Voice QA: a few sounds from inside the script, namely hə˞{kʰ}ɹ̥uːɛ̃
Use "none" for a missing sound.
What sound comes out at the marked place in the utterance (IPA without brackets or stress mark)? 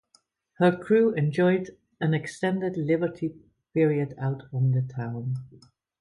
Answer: kʰ